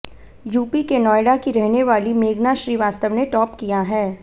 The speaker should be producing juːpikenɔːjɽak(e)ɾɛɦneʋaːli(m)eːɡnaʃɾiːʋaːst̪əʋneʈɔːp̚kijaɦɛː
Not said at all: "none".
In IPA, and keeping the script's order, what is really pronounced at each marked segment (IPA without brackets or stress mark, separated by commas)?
i, m